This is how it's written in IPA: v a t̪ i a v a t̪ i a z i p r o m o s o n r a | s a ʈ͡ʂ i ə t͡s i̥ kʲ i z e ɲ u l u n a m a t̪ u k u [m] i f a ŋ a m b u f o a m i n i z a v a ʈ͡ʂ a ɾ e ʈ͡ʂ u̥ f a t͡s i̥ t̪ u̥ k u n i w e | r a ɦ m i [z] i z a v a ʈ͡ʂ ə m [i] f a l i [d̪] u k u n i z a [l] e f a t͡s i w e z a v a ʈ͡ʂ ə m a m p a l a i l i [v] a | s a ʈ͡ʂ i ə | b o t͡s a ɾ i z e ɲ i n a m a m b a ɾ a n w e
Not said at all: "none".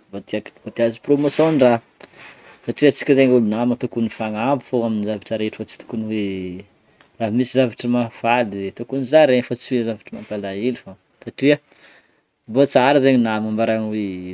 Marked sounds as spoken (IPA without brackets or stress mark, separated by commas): n, s, a, t̪, ɾ, f